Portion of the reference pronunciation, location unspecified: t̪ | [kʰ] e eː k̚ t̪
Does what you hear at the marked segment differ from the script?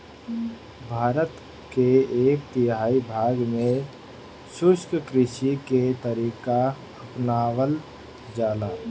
yes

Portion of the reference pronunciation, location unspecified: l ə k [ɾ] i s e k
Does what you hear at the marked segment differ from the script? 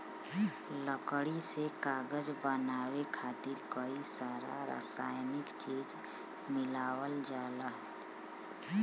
yes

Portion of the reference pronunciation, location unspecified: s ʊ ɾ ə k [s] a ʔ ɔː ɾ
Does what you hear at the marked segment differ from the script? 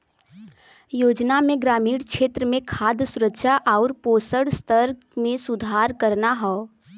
yes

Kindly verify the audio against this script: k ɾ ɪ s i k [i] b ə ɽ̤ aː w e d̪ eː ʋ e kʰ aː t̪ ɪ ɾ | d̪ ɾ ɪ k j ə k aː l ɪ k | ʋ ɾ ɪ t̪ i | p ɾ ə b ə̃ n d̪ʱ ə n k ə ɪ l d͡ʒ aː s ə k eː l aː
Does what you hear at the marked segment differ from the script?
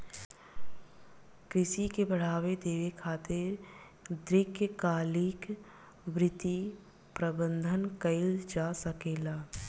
yes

